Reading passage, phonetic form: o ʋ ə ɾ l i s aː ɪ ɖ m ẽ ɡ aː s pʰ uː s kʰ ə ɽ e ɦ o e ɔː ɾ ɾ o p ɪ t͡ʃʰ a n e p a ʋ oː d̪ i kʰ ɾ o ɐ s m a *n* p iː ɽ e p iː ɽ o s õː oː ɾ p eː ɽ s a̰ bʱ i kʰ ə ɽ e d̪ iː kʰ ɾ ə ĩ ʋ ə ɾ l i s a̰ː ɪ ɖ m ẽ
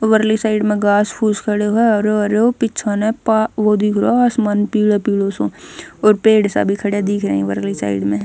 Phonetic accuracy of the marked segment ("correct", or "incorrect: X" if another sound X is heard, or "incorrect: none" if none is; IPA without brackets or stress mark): correct